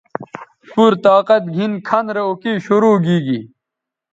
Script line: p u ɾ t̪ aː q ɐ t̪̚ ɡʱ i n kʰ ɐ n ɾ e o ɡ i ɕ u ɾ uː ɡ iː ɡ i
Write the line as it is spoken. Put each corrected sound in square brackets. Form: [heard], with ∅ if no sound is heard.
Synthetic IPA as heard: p u ɾ t̪ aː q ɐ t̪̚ ɡʱ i n kʰ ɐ n ɾ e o [k] i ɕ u ɾ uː ɡ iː ɡ i